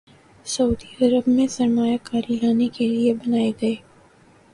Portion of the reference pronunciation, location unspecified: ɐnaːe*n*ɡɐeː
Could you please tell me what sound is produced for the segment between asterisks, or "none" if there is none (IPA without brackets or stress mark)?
none